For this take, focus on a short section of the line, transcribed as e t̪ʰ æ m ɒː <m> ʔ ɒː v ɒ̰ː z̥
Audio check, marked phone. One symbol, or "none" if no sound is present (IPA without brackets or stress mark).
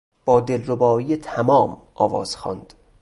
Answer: m